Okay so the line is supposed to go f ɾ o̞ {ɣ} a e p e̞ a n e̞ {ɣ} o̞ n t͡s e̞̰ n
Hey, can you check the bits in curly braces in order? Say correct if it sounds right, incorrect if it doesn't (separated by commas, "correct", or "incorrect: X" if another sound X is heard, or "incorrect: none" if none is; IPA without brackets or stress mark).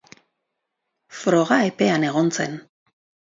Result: correct, correct